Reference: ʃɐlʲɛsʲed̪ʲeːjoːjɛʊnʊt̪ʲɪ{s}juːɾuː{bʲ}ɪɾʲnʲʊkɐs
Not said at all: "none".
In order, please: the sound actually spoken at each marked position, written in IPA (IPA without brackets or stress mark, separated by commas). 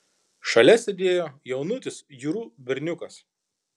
s, bʲ